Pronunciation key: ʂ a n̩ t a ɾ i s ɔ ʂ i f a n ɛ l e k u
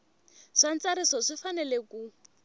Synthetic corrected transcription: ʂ a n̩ t͡s a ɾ i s ɔ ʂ i f a n ɛ l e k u